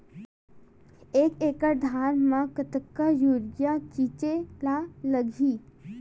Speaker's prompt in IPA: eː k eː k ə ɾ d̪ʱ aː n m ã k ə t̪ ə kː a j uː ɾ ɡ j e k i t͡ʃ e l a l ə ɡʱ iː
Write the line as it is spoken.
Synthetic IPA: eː k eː k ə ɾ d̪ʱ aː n m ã k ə t̪ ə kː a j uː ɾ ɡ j a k i t͡ʃ e l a l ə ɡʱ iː